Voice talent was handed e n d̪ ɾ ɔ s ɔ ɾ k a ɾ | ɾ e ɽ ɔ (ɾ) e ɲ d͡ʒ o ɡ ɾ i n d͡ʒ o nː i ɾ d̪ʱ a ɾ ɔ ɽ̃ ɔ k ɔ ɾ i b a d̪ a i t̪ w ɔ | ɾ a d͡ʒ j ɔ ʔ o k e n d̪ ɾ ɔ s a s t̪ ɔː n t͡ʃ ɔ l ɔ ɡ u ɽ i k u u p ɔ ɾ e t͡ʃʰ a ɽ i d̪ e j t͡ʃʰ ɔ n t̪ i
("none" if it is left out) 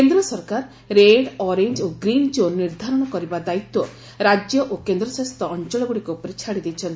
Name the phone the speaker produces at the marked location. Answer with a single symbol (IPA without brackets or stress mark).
ɾ